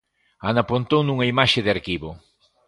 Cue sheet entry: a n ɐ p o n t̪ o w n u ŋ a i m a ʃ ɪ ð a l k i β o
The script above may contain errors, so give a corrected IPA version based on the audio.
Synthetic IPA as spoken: a n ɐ p o n t̪ o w n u ŋ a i m a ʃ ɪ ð a ɾ k i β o